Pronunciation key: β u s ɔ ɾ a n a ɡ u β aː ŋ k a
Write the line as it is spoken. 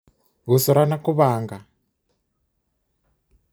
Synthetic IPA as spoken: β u s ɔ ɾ a n a k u β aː ŋ ɡ a